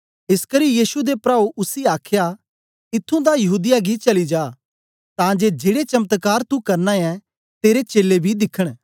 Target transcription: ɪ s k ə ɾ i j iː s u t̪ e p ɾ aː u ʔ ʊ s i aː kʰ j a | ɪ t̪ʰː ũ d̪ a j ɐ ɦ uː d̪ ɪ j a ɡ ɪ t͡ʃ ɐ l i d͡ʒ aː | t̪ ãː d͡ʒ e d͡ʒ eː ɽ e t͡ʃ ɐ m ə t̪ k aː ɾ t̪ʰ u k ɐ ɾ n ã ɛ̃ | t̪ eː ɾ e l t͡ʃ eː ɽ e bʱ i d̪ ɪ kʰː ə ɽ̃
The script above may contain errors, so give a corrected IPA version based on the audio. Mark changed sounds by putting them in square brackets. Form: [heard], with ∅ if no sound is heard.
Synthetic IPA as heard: ɪ s k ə ɾ i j iː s u [d̪] e p ɾ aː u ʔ ʊ s i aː kʰ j a | ɪ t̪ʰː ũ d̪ a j ɐ ɦ uː d̪ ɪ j a ɡ [i] t͡ʃ ɐ l i d͡ʒ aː | t̪ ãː d͡ʒ e d͡ʒ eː ɽ e t͡ʃ ɐ m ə t̪ k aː ɾ [t̪] u k ɐ ɾ n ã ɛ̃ | t̪ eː ɾ e [∅] t͡ʃ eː [l] e bʱ i d̪ ɪ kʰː ə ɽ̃

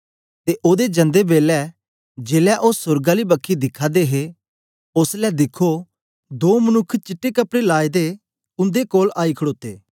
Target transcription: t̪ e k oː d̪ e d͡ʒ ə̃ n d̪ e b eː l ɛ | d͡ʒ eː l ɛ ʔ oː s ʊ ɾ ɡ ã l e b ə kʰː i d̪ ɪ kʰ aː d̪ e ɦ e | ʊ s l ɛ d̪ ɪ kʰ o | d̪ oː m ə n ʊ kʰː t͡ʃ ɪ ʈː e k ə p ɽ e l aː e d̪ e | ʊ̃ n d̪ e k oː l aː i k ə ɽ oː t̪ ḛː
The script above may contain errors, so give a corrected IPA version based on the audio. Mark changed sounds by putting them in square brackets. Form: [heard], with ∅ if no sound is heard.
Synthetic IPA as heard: t̪ e [ʔ] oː d̪ e d͡ʒ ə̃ n d̪ e b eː l ɛ | d͡ʒ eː l ɛ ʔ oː s ʊ ɾ ɡ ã l [i] b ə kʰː i d̪ ɪ kʰ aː d̪ e ɦ e | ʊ s l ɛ d̪ ɪ kʰ o | d̪ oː m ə n ʊ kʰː t͡ʃ ɪ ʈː e k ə p ɽ e l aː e d̪ e | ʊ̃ n d̪ e k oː l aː i [kʰ] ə ɽ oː t̪ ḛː

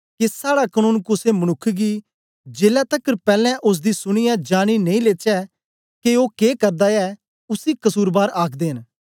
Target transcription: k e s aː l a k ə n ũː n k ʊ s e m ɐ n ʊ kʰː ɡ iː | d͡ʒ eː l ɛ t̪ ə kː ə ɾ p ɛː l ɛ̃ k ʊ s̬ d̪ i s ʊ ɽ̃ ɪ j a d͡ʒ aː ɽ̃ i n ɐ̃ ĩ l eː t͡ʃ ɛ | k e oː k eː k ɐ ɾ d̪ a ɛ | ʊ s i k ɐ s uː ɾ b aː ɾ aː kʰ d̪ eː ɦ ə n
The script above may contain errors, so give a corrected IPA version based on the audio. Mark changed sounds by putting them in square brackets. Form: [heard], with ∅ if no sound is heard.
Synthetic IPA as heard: k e s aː [ɽ] a k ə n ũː n k ʊ s e m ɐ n ʊ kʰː ɡ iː | d͡ʒ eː l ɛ t̪ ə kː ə ɾ p ɛː l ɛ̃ [ʔ] ʊ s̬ d̪ i s ʊ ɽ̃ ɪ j a d͡ʒ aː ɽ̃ i n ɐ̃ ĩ l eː t͡ʃ ɛ | k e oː k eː k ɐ ɾ d̪ a ɛ | ʊ s i k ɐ s uː ɾ b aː ɾ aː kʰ d̪ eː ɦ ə n

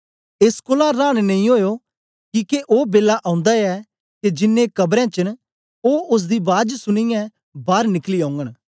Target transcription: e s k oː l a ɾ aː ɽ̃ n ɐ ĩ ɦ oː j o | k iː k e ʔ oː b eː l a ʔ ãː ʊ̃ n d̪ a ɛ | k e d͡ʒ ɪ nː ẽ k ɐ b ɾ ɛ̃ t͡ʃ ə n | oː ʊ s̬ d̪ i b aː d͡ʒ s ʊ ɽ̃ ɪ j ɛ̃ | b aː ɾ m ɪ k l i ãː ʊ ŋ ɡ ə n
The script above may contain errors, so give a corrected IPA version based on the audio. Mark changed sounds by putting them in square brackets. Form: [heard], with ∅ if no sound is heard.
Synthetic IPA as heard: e s k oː l a ɾ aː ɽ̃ n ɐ ĩ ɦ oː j o | k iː k e ʔ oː b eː l a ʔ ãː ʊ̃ n d̪ a ɛ | k e d͡ʒ ɪ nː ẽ k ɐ b ɾ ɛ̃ t͡ʃ ə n | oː ʊ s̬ d̪ i b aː d͡ʒ s ʊ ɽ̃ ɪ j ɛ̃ | b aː ɾ [n] ɪ k l i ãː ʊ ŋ ɡ ə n

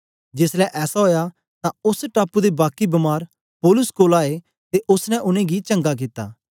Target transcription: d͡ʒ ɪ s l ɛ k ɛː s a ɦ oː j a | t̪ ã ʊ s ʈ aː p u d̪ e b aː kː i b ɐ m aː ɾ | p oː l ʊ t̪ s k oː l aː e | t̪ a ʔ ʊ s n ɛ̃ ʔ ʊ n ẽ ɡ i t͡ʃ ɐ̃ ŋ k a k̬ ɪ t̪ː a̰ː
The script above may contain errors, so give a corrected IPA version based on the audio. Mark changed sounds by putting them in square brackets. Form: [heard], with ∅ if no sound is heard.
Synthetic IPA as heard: d͡ʒ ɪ s l ɛ [ʔ] ɛː s a ɦ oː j a | t̪ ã ʊ s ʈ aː p u d̪ e b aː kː i b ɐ m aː ɾ | p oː l ʊ [∅] s k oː l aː e | t̪ [e] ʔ ʊ s n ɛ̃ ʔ ʊ n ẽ ɡ i t͡ʃ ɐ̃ ŋ [ɡ] a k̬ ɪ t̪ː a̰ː

